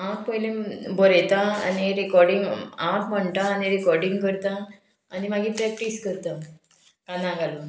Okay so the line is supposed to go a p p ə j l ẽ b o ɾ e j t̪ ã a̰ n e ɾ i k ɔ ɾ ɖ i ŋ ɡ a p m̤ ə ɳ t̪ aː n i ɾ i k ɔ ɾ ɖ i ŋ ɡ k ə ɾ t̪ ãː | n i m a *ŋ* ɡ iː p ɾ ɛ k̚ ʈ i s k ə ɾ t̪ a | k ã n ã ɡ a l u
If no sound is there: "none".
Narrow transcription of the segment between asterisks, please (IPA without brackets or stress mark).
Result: none